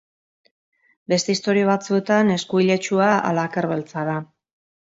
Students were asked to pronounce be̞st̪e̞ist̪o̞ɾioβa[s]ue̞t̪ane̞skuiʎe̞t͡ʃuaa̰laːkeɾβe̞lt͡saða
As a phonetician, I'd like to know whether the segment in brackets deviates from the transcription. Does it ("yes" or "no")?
yes